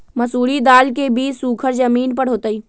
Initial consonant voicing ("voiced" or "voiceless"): voiced